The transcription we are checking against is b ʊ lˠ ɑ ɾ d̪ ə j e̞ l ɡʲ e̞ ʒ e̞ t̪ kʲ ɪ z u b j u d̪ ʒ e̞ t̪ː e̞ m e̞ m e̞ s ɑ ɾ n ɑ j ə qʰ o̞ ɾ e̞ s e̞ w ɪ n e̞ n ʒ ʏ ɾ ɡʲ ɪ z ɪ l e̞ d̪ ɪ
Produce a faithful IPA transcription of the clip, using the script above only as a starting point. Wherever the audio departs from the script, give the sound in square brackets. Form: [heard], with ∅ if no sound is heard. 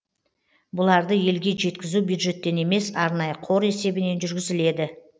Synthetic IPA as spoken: b ʊ lˠ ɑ ɾ d̪ ə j e̞ l ɡʲ e̞ ʒ e̞ t̪ kʲ ɪ z u b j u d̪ ʒ e̞ t̪ː e̞ [n] e̞ m e̞ s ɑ ɾ n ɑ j ə qʰ o̞ ɾ e̞ s e̞ [b] ɪ n e̞ n ʒ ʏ ɾ ɡʲ ɪ z ɪ l e̞ d̪ ɪ